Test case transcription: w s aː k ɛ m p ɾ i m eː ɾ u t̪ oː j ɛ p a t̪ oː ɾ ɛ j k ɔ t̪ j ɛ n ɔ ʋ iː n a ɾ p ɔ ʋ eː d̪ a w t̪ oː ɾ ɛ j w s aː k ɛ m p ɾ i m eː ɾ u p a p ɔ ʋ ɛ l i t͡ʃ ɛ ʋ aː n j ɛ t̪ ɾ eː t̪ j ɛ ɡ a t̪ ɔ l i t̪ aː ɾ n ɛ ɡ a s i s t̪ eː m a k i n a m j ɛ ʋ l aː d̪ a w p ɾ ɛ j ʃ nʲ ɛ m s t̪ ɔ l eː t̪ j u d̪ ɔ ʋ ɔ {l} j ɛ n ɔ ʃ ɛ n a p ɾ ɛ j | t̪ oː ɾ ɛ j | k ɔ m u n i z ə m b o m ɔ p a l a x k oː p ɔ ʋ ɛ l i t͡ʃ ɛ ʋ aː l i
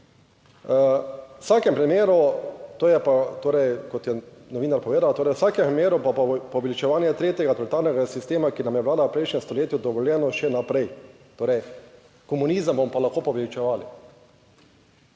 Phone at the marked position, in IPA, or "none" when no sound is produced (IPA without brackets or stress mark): l